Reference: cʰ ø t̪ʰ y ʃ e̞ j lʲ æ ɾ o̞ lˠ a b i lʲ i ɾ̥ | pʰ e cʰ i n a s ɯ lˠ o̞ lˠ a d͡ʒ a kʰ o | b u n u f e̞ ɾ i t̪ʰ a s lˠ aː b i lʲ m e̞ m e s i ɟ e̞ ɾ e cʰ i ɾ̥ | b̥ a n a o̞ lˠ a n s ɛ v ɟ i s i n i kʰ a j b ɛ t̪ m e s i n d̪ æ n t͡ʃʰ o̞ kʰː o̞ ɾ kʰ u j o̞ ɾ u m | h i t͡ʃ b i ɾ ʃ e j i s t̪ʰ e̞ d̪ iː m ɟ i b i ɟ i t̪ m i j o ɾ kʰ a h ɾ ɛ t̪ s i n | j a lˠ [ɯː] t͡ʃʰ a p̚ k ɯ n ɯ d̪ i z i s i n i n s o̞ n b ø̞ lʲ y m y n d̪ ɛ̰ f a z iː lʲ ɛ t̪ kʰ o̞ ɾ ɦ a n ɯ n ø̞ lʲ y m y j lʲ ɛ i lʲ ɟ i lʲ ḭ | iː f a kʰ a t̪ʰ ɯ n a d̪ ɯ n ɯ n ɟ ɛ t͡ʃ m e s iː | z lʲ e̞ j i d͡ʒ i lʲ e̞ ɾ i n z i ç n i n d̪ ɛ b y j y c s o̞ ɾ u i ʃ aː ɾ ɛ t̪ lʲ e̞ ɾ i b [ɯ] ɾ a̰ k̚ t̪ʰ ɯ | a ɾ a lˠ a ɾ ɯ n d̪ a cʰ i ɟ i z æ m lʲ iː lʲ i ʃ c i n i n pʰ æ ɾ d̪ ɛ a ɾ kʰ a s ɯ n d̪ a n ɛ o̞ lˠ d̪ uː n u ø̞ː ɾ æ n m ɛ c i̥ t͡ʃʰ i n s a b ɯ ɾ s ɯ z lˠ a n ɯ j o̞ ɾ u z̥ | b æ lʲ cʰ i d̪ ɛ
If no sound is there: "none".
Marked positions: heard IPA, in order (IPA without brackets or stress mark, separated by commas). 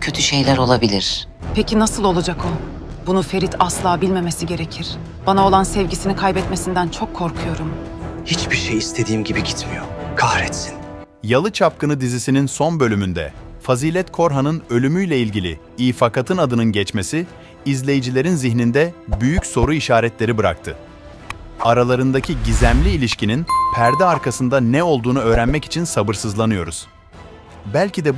ɯ, ɯ